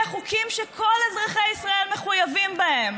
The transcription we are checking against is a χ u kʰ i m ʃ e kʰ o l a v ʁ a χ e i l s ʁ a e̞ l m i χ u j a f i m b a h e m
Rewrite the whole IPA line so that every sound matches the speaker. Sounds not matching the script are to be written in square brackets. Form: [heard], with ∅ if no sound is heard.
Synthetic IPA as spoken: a χ u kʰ i m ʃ e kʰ o l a [z] ʁ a χ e i [∅] s ʁ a e̞ l m [e] χ u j a [v] i m b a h e m